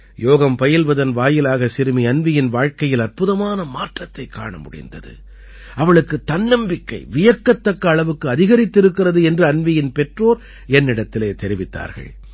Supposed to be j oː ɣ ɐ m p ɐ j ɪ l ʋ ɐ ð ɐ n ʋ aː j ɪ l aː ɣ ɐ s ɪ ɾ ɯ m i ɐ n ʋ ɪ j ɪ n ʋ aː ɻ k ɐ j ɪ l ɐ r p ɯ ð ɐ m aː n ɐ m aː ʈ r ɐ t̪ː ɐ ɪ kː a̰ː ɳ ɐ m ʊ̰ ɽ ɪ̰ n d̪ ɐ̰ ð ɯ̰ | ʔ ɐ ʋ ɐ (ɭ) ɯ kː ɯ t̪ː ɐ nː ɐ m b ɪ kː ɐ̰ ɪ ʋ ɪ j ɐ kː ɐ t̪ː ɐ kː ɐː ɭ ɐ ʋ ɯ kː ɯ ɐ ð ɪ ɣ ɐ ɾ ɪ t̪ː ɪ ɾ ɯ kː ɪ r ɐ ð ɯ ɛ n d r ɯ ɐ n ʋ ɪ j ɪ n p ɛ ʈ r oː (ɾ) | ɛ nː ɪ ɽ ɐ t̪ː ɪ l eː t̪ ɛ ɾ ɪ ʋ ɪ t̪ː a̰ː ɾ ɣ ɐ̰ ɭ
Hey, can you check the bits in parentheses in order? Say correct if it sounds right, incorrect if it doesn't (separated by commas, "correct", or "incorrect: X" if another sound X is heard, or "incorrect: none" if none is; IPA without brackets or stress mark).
correct, correct